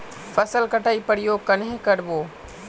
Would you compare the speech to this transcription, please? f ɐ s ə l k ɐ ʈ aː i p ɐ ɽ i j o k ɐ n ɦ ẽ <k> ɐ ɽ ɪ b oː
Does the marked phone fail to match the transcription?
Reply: no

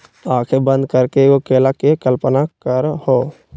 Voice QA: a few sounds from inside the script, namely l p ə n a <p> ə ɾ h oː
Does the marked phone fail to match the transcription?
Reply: yes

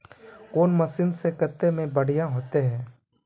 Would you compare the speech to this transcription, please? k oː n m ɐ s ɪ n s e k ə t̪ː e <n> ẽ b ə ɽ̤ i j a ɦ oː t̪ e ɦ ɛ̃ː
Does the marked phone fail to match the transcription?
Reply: yes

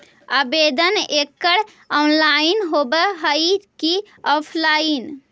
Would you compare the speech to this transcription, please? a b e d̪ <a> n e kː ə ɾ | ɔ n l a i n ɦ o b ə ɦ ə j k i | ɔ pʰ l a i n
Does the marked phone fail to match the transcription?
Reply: yes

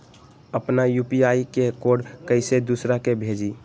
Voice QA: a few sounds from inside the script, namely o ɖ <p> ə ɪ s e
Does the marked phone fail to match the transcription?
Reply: yes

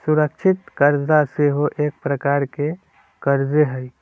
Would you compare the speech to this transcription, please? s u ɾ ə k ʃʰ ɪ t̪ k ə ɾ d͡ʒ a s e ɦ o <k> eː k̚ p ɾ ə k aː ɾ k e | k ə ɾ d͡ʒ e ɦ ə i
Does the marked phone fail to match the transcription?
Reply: yes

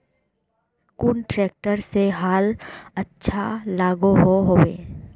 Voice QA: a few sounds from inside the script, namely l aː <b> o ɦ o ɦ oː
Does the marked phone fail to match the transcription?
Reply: yes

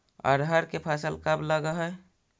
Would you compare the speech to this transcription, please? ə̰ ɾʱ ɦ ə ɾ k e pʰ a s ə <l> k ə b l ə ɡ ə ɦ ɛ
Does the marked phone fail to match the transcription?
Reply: no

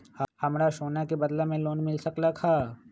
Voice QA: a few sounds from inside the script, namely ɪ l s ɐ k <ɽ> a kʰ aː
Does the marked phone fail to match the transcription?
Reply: yes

